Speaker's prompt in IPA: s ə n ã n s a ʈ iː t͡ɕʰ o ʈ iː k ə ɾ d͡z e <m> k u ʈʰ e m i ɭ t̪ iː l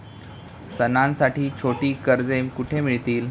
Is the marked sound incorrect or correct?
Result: correct